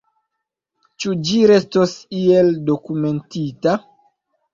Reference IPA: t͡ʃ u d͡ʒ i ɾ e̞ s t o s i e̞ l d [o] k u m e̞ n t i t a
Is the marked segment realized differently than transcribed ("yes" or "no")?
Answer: no